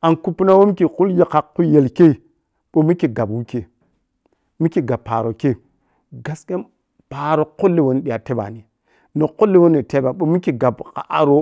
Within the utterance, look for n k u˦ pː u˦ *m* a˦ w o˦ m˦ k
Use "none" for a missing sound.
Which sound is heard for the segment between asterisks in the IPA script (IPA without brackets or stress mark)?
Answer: n